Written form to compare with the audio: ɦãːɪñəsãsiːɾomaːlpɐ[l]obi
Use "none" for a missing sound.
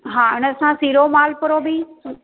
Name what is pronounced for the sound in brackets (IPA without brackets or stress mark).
ɾ